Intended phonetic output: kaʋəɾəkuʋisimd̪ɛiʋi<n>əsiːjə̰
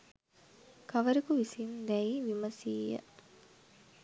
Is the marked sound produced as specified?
no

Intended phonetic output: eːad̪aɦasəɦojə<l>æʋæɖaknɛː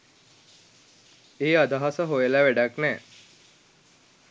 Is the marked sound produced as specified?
yes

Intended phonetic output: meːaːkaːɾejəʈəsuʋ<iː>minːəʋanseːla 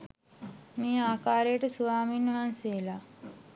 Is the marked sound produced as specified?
no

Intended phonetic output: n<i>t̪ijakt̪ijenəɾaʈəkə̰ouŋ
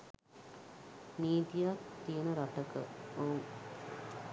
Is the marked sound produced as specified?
no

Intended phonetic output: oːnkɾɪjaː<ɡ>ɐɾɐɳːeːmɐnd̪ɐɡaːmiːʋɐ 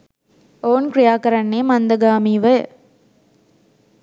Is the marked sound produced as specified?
no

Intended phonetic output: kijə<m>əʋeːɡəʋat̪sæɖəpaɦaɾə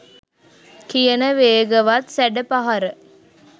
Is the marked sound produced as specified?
no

